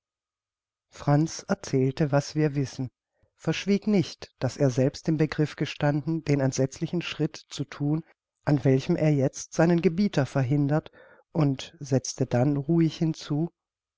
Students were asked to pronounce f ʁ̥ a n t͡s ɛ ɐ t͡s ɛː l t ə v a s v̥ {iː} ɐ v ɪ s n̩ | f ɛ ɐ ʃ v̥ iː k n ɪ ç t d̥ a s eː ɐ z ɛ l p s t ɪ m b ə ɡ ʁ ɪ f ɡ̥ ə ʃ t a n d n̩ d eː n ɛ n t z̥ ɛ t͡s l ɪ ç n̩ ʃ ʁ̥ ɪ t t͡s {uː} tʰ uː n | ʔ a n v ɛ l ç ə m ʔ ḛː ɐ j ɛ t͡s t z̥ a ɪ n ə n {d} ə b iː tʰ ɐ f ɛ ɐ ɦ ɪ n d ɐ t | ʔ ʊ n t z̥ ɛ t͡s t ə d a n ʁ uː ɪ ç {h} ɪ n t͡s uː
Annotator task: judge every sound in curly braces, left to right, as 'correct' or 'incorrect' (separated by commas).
correct, incorrect, incorrect, correct